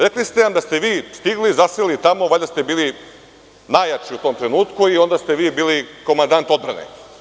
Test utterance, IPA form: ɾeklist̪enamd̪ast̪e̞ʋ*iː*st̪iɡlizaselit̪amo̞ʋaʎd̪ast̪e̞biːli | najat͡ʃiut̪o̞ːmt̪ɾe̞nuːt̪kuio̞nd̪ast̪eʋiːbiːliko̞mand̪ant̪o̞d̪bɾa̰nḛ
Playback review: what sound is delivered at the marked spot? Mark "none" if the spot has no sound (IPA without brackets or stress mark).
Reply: iː